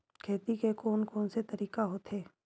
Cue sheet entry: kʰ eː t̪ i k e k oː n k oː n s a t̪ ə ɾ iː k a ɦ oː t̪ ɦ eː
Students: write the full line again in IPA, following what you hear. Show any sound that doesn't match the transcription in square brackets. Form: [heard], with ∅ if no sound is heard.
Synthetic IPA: kʰ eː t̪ i k e k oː n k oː n s [e] t̪ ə ɾ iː k a ɦ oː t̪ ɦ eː